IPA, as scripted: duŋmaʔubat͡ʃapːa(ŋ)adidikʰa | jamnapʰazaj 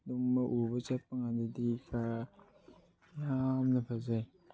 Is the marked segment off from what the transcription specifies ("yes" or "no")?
no